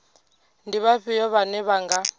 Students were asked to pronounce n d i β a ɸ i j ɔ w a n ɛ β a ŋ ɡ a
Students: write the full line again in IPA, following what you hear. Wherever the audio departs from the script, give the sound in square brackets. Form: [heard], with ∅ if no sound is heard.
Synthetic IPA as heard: n d i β a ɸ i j ɔ [β] a n ɛ β a ŋ ɡ a